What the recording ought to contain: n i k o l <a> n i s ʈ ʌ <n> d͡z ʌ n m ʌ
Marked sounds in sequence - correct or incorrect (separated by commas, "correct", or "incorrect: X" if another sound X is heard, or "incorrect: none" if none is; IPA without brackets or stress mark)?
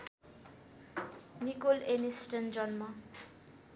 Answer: incorrect: e, correct